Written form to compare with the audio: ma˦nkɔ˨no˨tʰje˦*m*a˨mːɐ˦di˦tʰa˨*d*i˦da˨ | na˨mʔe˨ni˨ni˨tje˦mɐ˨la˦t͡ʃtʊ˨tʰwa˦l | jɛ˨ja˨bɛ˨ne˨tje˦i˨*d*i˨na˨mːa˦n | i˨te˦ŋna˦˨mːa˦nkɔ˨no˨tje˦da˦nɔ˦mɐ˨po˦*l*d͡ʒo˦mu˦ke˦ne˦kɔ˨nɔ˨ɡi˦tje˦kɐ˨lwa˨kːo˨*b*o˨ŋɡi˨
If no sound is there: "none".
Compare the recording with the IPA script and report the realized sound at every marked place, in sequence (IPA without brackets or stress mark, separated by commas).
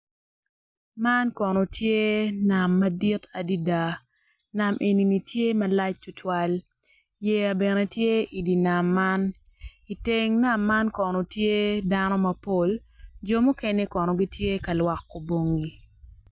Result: n, d, d, l, b